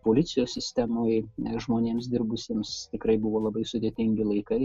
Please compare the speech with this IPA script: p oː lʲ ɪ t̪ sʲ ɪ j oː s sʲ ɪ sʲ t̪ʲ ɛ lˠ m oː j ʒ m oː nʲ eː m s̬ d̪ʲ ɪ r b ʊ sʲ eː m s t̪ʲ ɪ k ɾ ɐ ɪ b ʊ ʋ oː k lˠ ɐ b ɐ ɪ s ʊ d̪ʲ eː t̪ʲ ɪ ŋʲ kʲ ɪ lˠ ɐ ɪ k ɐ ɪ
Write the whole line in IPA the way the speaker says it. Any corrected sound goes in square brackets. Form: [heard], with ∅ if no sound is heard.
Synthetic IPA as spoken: p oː lʲ ɪ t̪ sʲ ɪ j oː s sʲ ɪ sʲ t̪ʲ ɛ [∅] m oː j ʒ m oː nʲ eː m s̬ d̪ʲ ɪ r b ʊ sʲ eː m s t̪ʲ ɪ k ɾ ɐ ɪ b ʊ ʋ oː [∅] lˠ ɐ b ɐ ɪ s ʊ d̪ʲ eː t̪ʲ ɪ ŋʲ [ɡʲ] ɪ lˠ ɐ ɪ k ɐ ɪ